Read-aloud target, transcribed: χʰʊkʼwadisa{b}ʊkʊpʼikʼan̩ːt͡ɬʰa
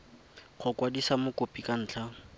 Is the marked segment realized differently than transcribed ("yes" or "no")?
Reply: yes